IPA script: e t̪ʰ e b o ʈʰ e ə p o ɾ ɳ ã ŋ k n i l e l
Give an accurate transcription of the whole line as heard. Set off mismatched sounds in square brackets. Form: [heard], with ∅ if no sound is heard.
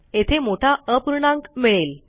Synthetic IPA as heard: e t̪ʰ e [m] o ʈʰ [a] ə p [u] ɾ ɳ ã ŋ k [m] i [ɭ] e l